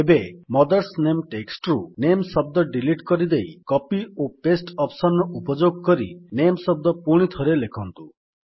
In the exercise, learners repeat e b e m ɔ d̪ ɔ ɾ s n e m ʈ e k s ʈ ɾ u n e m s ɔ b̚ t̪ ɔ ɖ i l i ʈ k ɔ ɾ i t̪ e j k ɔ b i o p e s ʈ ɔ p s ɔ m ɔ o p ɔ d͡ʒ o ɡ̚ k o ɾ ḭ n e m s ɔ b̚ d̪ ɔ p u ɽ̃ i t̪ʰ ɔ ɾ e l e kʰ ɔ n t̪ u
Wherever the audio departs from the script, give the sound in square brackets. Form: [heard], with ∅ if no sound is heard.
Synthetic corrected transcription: e b e m ɔ d̪ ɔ ɾ s n e m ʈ e k s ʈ ɾ u n e m s ɔ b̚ [d̪] ɔ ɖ i l i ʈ k ɔ ɾ i [d̪] e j k ɔ [p] i o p e s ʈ ɔ p s ɔ [n] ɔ [u] p ɔ d͡ʒ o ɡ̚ k [ɔ] ɾ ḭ n e m s ɔ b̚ d̪ ɔ p u ɽ̃ i t̪ʰ ɔ ɾ e l e kʰ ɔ n t̪ u